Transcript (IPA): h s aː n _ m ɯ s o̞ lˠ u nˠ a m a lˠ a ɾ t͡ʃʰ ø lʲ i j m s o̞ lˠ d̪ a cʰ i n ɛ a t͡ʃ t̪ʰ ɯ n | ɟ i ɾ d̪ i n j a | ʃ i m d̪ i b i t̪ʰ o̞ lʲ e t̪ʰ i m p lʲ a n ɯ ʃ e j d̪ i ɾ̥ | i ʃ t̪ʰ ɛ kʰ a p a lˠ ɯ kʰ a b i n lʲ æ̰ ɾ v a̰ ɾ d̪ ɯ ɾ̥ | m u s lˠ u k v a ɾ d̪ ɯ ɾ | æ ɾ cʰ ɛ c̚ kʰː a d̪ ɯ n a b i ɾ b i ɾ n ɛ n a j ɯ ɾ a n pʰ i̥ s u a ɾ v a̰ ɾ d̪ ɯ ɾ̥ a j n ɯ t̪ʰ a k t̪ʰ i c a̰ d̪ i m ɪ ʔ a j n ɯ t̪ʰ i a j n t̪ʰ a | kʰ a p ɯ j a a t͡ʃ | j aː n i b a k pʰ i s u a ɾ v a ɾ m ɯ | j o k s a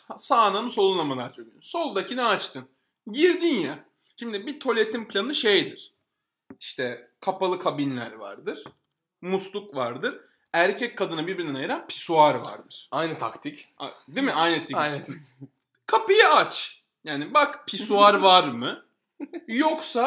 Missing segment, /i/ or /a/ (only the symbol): a